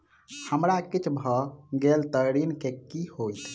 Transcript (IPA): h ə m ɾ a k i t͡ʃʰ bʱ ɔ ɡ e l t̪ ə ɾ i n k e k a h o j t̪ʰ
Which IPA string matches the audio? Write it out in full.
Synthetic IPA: h ə m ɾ a k i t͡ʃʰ bʱ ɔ ɡ e l t̪ ə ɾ i n k e k i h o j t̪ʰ